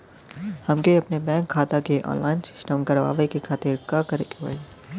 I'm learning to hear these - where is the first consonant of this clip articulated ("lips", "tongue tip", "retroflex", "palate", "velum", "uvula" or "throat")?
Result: throat